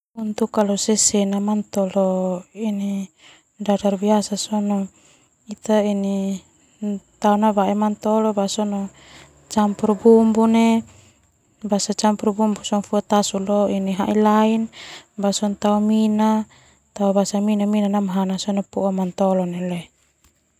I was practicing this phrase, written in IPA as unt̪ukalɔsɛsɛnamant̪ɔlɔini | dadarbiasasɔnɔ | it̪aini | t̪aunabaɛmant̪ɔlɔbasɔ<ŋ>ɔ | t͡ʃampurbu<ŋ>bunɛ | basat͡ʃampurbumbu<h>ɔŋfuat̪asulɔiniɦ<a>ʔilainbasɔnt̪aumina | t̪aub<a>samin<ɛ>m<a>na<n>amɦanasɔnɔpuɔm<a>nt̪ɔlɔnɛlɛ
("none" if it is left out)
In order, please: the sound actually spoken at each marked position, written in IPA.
n, m, s, a, a, a, i, n, a

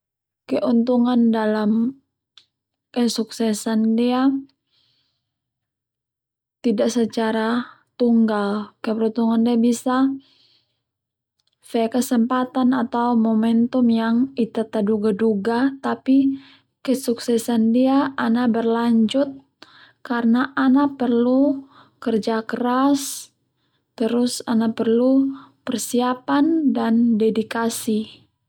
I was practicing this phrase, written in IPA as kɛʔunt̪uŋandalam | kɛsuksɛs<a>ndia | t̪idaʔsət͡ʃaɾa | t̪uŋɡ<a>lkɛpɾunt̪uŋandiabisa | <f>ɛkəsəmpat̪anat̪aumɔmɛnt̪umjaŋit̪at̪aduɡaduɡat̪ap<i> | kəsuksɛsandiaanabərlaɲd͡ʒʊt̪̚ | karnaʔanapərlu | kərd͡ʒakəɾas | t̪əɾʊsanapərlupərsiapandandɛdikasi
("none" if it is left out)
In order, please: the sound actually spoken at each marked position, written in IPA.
a, a, f, i

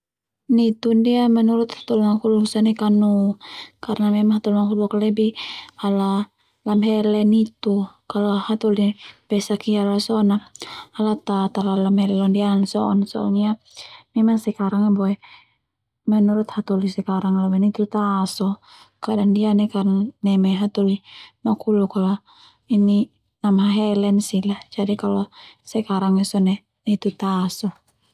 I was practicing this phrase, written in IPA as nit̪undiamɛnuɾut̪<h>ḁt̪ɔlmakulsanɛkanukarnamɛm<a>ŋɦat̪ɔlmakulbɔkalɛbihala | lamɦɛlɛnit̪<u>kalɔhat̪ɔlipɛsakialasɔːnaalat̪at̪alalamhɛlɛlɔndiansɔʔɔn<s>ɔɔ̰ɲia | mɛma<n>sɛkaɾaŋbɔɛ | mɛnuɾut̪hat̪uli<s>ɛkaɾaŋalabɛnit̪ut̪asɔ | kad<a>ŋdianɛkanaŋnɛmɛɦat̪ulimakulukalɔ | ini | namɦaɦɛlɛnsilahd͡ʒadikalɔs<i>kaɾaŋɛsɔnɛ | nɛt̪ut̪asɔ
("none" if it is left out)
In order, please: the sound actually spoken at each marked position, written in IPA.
h, a, u, s, ŋ, s, a, ɛ

